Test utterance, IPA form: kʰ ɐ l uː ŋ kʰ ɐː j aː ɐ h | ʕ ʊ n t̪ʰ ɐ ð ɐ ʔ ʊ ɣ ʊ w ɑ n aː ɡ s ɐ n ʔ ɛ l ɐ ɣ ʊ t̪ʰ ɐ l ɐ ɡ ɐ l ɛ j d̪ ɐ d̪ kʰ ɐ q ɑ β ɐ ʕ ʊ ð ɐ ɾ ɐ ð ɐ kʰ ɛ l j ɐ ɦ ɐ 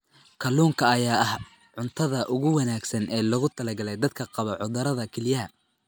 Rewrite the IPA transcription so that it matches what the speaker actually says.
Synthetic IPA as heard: kʰ ɐ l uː ŋ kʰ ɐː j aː ɐ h | ʕ ʊ n t̪ʰ ɐ ð ɐ ʔ ʊ ɣ ʊ w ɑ n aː ɡ s ɐ n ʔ ɛː l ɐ ɣ ʊ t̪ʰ ɐ l ɐ ɡ ɐ l ɛ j d̪ ɐ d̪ kʰ ɐ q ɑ β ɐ ʕ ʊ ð ɐ ɾ ɐ ð ɐ kʰ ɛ l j ɐ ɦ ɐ